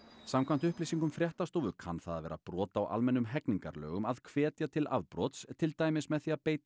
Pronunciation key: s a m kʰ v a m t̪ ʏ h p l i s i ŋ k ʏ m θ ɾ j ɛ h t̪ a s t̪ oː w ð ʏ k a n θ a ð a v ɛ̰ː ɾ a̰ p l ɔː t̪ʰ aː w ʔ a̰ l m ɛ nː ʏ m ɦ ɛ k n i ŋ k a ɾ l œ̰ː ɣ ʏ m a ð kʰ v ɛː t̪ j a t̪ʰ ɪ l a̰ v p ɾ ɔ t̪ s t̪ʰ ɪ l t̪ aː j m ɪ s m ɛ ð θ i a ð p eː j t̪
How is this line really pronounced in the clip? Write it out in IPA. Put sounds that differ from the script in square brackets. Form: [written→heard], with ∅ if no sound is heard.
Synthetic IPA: s a m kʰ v a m t̪ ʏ h p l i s i ŋ k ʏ m [θ→f] ɾ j ɛ h t̪ a s t̪ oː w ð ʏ [k→kʰ] a n θ a ð a v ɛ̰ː ɾ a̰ p [l→ɾ] ɔː [t̪ʰ→t̪] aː w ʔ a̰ l m ɛ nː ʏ m ɦ ɛ k n i ŋ k a ɾ l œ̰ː ɣ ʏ m a ð kʰ v ɛː t̪ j a t̪ʰ ɪ l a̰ [v→ð] p ɾ ɔ t̪ s t̪ʰ ɪ l t̪ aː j m ɪ s m ɛ ð θ i a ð p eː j t̪